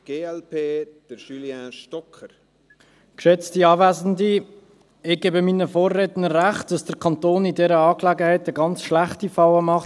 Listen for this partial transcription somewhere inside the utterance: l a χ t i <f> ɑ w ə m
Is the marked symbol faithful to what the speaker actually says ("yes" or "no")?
yes